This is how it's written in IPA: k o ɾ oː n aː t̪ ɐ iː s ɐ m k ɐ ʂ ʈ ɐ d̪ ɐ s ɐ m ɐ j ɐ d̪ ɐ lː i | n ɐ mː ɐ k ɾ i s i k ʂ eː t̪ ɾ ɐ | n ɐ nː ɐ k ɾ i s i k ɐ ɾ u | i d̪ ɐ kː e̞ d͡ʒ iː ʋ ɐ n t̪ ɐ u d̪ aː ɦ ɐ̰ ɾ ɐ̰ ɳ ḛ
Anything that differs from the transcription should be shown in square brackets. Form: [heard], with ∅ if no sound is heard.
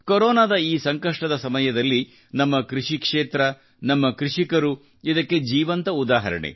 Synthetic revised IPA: k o ɾ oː n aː [d̪] ɐ iː s ɐ [ŋ] k ɐ ʂ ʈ ɐ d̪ ɐ s ɐ m ɐ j ɐ d̪ ɐ lː i | n ɐ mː ɐ k ɾ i [ʂ] i k ʂ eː t̪ ɾ ɐ | n ɐ [mː] ɐ k ɾ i [ʂ] i k ɐ ɾ u | i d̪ ɐ kː e̞ d͡ʒ iː ʋ ɐ n t̪ ɐ u d̪ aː ɦ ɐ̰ ɾ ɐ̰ ɳ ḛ